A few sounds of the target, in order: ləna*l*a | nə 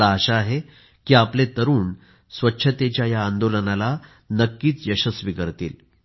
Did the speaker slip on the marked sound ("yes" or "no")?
no